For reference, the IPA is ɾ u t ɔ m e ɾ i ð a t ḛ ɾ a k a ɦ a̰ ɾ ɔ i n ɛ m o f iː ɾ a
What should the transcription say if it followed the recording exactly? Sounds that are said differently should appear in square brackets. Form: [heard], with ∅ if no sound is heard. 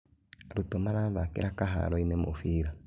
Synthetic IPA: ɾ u t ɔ m [a] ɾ [a] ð a [k] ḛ ɾ a k a ɦ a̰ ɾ ɔ i n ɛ m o f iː ɾ a